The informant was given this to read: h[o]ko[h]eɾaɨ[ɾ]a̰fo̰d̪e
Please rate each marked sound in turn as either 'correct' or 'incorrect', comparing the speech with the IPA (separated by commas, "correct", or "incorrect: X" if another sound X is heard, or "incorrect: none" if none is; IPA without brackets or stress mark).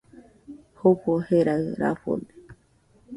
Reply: correct, correct, correct